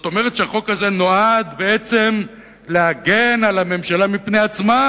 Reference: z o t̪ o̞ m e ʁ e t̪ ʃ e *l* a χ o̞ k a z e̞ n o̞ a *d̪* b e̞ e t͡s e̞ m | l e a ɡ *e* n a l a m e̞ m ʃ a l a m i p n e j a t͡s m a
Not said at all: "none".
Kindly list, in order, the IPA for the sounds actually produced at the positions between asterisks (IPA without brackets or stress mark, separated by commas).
none, d̪, e